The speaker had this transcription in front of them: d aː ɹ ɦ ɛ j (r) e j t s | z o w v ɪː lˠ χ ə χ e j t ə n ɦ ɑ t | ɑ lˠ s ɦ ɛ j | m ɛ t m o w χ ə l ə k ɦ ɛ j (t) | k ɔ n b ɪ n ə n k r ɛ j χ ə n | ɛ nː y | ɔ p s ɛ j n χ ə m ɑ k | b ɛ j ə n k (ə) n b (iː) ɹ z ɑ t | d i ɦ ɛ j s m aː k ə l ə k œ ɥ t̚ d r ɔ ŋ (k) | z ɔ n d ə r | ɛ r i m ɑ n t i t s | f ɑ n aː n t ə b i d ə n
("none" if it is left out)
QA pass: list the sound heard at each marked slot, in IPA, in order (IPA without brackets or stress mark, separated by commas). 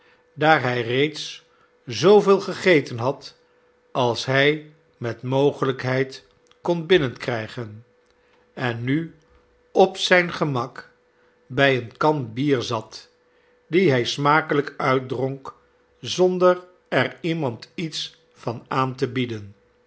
r, t, ɑ, iː, k